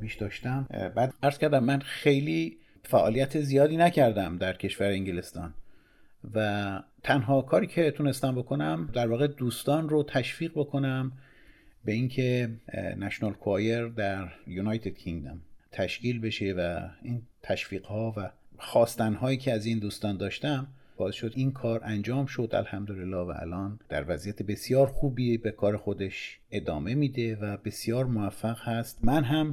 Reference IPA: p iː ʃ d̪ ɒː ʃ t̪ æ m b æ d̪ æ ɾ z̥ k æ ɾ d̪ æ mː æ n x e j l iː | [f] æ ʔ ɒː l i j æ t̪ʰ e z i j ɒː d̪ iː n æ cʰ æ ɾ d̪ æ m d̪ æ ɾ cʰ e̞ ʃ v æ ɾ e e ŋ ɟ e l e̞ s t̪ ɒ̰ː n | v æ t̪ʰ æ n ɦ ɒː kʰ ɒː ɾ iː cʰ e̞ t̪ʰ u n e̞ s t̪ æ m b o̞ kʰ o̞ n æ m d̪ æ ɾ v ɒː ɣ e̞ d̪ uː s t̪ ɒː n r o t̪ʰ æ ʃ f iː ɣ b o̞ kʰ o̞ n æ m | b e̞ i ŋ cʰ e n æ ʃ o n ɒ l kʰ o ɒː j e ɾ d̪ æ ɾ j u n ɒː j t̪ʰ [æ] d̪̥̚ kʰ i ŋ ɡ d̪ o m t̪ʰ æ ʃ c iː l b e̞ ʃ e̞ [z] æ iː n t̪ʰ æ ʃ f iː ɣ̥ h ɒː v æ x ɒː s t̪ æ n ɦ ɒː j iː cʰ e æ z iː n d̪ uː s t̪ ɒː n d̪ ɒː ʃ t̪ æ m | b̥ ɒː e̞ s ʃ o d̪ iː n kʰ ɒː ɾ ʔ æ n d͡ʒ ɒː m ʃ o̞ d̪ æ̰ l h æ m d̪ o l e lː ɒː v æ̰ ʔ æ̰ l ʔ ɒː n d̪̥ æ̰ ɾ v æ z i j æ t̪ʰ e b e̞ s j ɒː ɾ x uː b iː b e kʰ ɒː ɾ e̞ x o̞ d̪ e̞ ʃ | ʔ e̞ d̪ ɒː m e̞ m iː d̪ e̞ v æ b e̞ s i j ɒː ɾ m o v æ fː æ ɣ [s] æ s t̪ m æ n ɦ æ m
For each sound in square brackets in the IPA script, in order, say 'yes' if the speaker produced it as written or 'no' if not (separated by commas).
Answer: yes, no, no, no